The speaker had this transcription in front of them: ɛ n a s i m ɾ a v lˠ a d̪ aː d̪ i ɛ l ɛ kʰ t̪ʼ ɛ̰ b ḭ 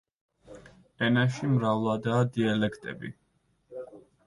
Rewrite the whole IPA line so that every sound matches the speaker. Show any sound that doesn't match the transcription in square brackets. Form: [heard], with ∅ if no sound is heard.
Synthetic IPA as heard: ɛ n a [ʃ] i m ɾ a v lˠ a d̪ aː d̪ i [a] l ɛ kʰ t̪ʼ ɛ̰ b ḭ